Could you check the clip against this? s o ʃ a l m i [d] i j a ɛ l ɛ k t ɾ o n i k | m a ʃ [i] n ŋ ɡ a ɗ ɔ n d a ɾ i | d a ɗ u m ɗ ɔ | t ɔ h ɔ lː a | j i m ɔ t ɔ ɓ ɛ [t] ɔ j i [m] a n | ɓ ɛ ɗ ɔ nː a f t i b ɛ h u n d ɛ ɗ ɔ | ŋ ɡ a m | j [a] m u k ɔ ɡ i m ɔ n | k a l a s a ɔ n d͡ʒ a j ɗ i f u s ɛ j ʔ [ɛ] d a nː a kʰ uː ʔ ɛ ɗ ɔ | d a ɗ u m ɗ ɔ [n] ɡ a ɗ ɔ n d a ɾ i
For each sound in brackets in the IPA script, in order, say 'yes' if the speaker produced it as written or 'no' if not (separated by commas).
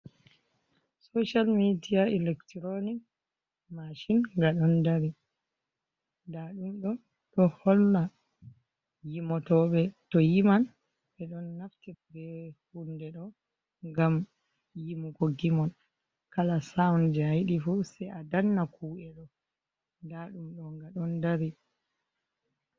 yes, yes, yes, yes, no, no, no